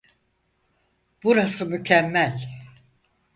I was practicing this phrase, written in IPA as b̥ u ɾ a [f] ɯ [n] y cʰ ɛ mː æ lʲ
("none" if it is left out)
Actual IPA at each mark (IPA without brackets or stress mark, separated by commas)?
s, m